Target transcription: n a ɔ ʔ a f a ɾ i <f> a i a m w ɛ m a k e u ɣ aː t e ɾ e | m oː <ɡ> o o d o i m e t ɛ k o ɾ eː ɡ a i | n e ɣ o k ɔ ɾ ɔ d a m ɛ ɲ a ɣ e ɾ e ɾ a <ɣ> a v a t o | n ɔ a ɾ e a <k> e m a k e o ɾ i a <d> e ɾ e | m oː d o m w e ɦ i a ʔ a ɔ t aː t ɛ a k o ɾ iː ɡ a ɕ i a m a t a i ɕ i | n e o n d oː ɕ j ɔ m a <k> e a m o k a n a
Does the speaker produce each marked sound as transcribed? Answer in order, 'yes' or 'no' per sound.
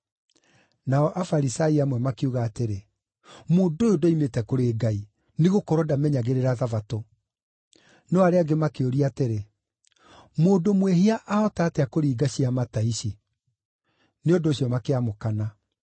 no, no, no, no, no, yes

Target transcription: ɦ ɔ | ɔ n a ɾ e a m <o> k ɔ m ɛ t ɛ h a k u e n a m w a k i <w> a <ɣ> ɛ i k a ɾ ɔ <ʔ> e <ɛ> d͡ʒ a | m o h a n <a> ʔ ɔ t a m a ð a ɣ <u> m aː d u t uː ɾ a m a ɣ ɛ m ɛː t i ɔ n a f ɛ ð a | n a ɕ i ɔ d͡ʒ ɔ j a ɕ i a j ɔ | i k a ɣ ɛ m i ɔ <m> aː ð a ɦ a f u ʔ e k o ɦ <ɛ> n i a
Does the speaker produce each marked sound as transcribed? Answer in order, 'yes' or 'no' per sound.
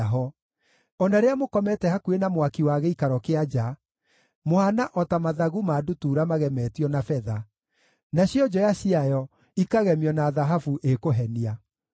yes, yes, yes, no, no, yes, yes, no, yes

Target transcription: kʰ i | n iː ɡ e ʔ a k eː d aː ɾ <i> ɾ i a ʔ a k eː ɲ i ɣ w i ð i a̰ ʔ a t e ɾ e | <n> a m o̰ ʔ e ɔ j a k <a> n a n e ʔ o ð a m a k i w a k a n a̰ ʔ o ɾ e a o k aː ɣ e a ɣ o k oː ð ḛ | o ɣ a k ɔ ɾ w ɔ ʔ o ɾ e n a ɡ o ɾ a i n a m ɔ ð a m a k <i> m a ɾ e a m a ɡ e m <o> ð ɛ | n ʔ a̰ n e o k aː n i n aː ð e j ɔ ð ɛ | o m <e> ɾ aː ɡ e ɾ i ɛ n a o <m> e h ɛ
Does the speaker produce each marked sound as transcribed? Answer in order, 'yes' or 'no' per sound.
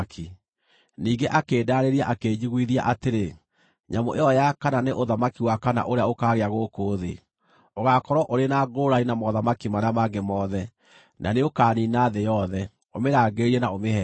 no, no, yes, yes, no, yes, yes

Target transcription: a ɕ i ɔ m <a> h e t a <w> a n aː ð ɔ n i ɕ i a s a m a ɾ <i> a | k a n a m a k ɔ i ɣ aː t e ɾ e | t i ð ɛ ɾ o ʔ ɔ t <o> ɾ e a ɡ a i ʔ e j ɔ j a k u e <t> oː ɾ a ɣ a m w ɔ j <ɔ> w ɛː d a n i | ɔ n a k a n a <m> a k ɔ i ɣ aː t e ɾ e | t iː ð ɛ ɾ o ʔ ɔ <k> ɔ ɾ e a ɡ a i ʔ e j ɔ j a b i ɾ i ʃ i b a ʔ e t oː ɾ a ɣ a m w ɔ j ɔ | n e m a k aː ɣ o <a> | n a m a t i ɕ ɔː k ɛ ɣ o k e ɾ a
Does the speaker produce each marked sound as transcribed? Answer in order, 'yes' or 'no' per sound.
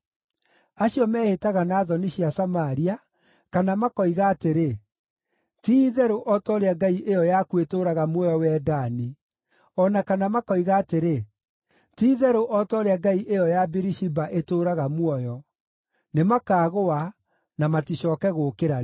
no, no, yes, no, yes, yes, yes, no, yes

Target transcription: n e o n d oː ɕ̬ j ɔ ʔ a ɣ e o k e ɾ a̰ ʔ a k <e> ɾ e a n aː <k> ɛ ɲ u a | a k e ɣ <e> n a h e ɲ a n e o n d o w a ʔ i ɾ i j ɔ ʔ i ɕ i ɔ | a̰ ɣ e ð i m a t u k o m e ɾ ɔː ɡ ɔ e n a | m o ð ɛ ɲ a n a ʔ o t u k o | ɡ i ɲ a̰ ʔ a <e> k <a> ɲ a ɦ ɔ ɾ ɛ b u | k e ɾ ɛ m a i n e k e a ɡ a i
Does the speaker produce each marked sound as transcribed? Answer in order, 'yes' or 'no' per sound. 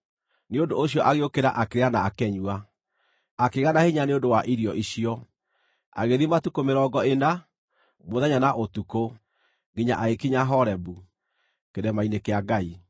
yes, yes, no, yes, no

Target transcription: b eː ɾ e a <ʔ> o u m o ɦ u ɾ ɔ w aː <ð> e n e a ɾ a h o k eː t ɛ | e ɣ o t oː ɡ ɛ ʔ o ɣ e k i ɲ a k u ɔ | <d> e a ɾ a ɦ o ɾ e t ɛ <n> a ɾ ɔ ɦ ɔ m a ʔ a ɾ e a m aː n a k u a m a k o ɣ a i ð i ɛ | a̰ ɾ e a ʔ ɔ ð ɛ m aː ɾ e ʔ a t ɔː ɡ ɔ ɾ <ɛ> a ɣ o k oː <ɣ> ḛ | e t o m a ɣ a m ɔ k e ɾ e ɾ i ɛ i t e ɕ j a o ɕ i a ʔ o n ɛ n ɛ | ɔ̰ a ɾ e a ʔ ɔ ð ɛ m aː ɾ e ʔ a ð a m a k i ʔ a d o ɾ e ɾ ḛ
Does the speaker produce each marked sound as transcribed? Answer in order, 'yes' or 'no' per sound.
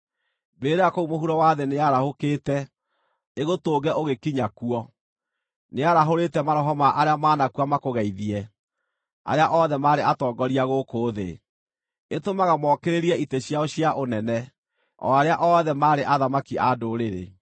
no, yes, no, no, no, no

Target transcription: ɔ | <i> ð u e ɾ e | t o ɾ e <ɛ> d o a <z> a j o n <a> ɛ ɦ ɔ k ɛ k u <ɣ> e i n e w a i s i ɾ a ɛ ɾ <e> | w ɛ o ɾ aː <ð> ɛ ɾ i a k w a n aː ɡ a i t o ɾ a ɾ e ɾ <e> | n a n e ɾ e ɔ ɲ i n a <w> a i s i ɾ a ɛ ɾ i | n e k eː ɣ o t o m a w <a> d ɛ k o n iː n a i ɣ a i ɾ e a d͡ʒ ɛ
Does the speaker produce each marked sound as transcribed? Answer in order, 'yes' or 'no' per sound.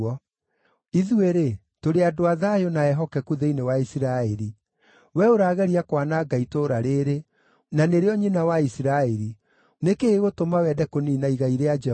yes, no, no, yes, no, no, no, yes, yes, no

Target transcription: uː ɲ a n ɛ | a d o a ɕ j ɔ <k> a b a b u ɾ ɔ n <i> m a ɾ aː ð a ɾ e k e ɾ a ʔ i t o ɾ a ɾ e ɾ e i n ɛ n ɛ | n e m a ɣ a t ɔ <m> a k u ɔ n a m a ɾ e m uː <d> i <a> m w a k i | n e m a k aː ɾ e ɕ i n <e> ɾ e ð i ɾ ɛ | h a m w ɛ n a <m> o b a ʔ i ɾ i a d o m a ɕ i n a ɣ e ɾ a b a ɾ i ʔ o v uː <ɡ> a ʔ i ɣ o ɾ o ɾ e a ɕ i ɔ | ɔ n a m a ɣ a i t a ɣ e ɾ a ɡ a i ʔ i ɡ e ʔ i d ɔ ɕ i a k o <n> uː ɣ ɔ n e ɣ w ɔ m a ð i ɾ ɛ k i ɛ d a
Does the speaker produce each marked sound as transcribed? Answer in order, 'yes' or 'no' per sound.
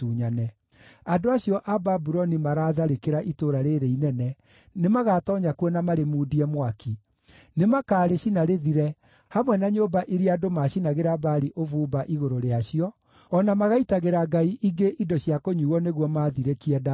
no, yes, no, yes, no, no, no, no, no

